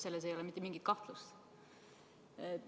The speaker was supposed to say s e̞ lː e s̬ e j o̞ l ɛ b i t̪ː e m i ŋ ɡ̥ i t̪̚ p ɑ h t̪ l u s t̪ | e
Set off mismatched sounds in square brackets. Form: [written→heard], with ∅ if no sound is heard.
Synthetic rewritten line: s e̞ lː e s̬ e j o̞ l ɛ [b→m] i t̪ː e m i ŋ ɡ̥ i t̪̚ [p→k] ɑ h t̪ l u s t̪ | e